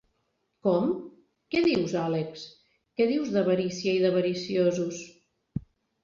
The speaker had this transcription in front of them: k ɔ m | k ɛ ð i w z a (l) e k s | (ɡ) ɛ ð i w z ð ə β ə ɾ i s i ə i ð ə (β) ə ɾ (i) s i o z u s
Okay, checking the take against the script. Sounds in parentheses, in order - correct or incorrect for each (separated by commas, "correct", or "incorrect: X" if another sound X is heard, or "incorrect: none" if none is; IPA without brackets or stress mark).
correct, incorrect: k, correct, correct